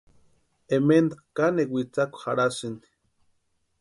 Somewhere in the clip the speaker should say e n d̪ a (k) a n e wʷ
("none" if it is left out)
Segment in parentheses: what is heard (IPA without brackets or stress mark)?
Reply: k